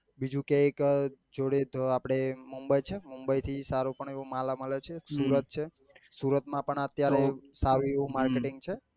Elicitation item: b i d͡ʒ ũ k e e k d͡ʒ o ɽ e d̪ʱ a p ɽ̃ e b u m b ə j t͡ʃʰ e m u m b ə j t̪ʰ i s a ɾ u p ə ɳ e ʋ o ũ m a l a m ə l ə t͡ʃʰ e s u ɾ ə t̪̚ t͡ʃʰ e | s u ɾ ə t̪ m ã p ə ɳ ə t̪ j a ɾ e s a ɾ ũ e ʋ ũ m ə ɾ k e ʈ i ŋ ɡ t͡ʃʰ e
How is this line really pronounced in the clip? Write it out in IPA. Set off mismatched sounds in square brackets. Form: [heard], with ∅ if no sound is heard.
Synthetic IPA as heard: b i d͡ʒ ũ k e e k d͡ʒ o ɽ e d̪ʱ a p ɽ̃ e [m] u m b ə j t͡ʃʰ e m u m b ə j t̪ʰ i s a ɾ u p ə ɳ e ʋ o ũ m a l a m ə l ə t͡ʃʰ e s u ɾ ə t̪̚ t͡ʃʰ e | s u ɾ ə t̪ m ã p ə ɳ ə t̪ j a ɾ e s a ɾ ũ e ʋ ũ m [a] ɾ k e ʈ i ŋ ɡ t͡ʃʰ e

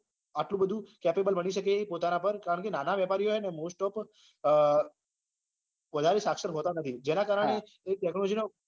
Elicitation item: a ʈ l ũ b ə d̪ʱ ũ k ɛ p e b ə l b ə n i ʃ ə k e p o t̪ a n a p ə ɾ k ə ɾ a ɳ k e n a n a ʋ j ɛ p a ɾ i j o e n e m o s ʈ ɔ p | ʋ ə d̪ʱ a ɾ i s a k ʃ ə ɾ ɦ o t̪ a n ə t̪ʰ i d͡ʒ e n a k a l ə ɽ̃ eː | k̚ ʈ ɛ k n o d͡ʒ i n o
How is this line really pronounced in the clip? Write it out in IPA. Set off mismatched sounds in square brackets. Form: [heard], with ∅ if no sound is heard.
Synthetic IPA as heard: a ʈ l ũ b ə d̪ʱ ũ k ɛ p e b ə l b ə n i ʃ ə k e p o t̪ a n a p ə ɾ k [a] ɾ [ə] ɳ k e n a n a ʋ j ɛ p a ɾ i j o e n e m o s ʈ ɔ p | ʋ ə d̪ʱ a ɾ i s a k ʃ ə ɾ ɦ o t̪ a n ə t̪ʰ i d͡ʒ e n a k a [ɾ] ə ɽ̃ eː | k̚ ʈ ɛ k n o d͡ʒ i n o

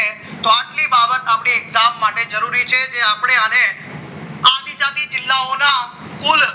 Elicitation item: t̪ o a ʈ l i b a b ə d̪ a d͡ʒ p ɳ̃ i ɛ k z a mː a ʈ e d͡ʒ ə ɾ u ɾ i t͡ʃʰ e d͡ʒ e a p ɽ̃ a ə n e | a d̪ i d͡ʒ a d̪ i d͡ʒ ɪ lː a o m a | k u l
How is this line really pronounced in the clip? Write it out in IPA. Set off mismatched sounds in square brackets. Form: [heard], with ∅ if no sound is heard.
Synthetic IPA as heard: t̪ o a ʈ l i b a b ə [t̪] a [∅] p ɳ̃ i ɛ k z a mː a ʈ e d͡ʒ ə ɾ u ɾ i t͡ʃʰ e d͡ʒ e a p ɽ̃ [e] ə n e | a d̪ i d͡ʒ a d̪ i d͡ʒ ɪ lː a o [n] a | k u l

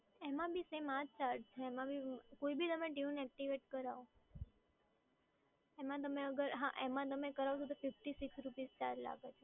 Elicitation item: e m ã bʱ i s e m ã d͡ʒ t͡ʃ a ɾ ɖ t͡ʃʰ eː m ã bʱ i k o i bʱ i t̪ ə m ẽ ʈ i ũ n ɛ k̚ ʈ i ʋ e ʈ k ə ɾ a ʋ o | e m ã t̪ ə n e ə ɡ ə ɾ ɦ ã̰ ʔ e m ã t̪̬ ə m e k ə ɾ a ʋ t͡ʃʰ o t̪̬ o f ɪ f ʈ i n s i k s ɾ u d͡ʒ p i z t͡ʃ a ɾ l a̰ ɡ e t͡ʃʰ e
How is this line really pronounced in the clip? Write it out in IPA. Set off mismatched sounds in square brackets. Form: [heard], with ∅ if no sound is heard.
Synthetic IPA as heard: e m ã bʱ i s e m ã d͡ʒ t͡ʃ a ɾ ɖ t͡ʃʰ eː m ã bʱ i k o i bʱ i t̪ ə m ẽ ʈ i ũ n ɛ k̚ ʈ i ʋ e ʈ k ə ɾ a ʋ o | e m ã t̪ ə [m] e ə ɡ ə ɾ ɦ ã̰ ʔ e m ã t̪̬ ə m e k ə ɾ a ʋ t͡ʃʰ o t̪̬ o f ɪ f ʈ i [∅] s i k s ɾ u [∅] p i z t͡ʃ a ɾ l a̰ ɡ e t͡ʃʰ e

